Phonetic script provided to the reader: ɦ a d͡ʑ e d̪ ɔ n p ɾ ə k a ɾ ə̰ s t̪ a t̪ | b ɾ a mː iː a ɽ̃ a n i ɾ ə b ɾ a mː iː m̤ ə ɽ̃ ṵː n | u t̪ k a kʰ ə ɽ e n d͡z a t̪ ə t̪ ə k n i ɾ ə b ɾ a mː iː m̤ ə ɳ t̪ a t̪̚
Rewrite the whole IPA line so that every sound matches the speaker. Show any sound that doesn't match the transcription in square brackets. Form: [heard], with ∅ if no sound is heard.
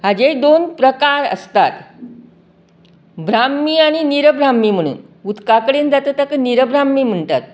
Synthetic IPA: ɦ a d͡ʑ e d̪ [o] n p ɾ ə k a ɾ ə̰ s t̪ a t̪ | b ɾ a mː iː a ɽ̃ [i] n i ɾ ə b ɾ a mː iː m̤ ə ɽ̃ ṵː n | u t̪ k a [k] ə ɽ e n d͡z a t̪ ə t̪ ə k n i ɾ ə b ɾ a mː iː m̤ ə ɳ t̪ a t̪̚